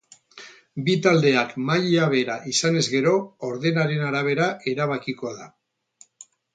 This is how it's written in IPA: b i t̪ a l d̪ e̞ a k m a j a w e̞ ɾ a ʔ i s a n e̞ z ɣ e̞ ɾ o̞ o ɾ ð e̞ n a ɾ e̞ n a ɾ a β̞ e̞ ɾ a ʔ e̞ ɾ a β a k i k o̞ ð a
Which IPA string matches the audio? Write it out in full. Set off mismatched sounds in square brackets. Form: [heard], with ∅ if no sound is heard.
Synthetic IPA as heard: b i t̪ a l d̪ e̞ a k m a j a [β] e̞ ɾ a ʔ i s a n e̞ z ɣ e̞ ɾ o̞ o ɾ ð e̞ n a ɾ e̞ n a ɾ a β̞ e̞ ɾ a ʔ e̞ ɾ a β a k i k o̞ ð a

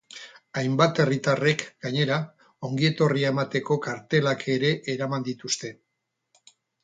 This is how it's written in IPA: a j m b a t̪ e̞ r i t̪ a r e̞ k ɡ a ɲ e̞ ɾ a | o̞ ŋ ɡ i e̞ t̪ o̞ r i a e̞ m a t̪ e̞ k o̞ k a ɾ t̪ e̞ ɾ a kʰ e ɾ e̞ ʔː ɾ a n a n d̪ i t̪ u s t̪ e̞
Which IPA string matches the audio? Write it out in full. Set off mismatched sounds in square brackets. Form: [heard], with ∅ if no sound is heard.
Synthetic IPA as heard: a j m b a t̪ e̞ r i t̪ a r e̞ k ɡ a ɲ e̞ ɾ a | o̞ ŋ ɡ i e̞ t̪ o̞ r i a e̞ m a t̪ e̞ k o̞ k a ɾ t̪ e̞ [l] a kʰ e ɾ e̞ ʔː ɾ a [m] a n d̪ i t̪ u s t̪ e̞

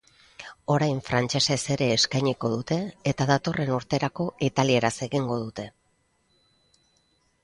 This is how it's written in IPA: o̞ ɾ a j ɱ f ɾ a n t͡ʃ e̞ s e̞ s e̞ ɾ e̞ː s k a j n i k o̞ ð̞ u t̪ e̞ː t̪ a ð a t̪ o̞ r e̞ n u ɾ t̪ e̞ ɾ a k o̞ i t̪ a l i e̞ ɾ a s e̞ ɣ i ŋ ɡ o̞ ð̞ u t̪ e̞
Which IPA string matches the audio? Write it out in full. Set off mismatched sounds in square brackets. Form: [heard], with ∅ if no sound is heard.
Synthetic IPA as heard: o̞ ɾ a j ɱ f ɾ a n t͡ʃ e̞ s e̞ s e̞ ɾ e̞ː s k a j [ɲ] i k o̞ ð̞ u t̪ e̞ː t̪ a ð a t̪ o̞ r e̞ n u ɾ t̪ e̞ ɾ a k o̞ i t̪ a l i e̞ ɾ a s e̞ ɣ i ŋ ɡ o̞ ð̞ u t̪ e̞

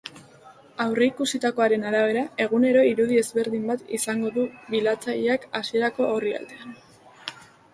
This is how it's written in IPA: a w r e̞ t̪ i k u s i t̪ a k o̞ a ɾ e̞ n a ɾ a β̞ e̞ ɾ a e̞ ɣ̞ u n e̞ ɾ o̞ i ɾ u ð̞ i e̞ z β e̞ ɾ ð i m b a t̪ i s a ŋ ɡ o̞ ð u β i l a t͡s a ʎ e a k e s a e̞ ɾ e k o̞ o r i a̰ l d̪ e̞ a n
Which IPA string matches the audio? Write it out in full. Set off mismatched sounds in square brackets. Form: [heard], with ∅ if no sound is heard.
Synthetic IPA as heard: a w r e̞ [∅] i k u s i t̪ a k o̞ a ɾ e̞ n a ɾ a β̞ e̞ ɾ a e̞ ɣ̞ u n e̞ ɾ o̞ i ɾ u ð̞ i e̞ z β e̞ ɾ ð i m b a t̪ i s a ŋ ɡ o̞ ð u β i l a t͡s a ʎ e a k [a] s [i] e̞ ɾ [a] k o̞ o r i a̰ l d̪ e̞ a n

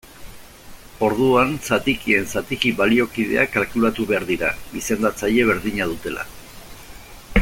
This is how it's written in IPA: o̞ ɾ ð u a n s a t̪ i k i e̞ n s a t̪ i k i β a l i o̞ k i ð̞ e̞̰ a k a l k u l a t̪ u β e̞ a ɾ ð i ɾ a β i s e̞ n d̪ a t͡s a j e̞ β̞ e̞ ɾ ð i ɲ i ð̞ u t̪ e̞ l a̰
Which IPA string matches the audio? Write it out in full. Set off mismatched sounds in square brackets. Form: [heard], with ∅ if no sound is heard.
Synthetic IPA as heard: o̞ ɾ ð u a n s a t̪ i k i e̞ n s a t̪ i k i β a l i o̞ k i ð̞ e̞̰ a k a l k u l a t̪ u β e̞ a ɾ ð i ɾ a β i s e̞ n d̪ a t͡s a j e̞ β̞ e̞ ɾ ð i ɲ [a] ð̞ u t̪ e̞ l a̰

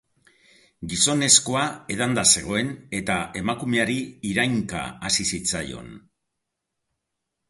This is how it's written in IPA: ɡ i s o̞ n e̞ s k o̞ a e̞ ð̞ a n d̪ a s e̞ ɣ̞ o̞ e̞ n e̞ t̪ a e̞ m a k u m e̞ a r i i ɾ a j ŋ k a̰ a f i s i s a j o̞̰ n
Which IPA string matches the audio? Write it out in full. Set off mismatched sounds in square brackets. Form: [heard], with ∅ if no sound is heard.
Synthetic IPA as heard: ɡ i s o̞ n e̞ s k o̞ a e̞ ð̞ a n d̪ a s e̞ ɣ̞ o̞ e̞ n e̞ t̪ a e̞ m a k u m e̞ a [ɾ] i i ɾ a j ŋ k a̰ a [s] i s i [t͡s] a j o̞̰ n

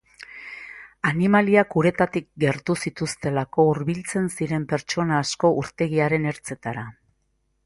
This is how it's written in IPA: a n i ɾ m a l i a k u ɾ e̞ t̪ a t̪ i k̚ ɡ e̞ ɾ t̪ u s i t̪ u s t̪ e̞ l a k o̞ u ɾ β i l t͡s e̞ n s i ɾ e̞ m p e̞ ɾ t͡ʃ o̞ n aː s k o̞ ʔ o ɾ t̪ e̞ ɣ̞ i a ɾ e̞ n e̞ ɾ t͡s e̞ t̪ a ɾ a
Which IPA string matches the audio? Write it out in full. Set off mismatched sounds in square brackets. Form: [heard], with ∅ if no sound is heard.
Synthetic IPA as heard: a n i [∅] m a l i a k u ɾ e̞ t̪ a t̪ i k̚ ɡ e̞ ɾ t̪ u s i t̪ u s t̪ e̞ l a k o̞ u ɾ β i l t͡s e̞ n s i ɾ e̞ m p e̞ ɾ t͡ʃ o̞ n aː s k o̞ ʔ [u] ɾ t̪ e̞ ɣ̞ i a ɾ e̞ n e̞ ɾ t͡s e̞ t̪ a ɾ a

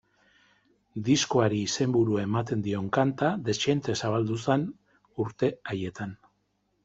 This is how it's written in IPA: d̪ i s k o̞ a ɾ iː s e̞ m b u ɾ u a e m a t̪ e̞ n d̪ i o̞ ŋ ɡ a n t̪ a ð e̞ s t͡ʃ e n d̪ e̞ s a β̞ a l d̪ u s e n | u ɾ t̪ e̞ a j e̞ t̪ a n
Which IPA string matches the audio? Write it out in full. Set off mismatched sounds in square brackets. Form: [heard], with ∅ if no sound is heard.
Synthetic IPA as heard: d̪ i s k o̞ a ɾ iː s e̞ m b u ɾ u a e m a t̪ e̞ n d̪ i o̞ ŋ [k] a n t̪ a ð e̞ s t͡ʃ e n [t̪] e̞ s a β̞ a l d̪ u s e n | u ɾ t̪ e̞ a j e̞ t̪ a n

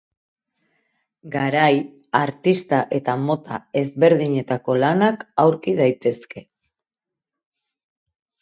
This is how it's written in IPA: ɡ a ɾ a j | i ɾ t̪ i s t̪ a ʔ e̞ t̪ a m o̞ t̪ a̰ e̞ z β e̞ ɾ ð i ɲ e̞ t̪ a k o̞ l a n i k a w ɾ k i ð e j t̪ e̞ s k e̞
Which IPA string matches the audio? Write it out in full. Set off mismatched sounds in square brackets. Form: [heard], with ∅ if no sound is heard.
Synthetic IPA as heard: ɡ a ɾ a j | [a] ɾ t̪ i s t̪ a ʔ e̞ t̪ a m o̞ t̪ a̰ e̞ z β e̞ ɾ ð i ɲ e̞ t̪ a k o̞ l a n [a] k a w ɾ k i ð [a] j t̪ e̞ s k e̞

